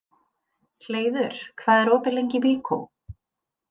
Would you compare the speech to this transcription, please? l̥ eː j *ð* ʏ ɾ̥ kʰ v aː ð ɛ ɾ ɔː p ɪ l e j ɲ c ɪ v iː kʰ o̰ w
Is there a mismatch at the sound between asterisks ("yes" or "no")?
no